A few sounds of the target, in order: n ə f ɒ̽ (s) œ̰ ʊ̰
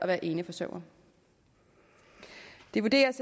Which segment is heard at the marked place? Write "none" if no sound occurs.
s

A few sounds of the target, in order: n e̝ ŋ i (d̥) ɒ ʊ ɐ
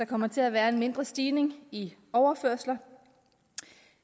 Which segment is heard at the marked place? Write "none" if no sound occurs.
none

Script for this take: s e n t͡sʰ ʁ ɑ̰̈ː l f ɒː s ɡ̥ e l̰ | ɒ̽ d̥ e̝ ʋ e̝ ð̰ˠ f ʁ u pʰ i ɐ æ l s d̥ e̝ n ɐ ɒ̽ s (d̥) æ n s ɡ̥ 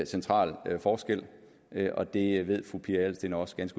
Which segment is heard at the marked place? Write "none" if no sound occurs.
ɡ̥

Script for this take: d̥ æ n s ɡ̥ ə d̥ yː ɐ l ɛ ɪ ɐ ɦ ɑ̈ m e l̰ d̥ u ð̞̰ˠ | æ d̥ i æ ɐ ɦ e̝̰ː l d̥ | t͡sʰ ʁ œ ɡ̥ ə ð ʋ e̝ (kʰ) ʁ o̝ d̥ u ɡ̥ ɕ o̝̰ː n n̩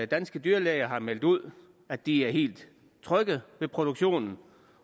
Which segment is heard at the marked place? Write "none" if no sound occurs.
pʰ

